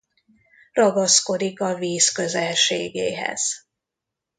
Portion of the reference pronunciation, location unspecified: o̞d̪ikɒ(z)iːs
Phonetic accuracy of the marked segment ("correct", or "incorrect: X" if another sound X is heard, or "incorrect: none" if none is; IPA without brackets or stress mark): incorrect: v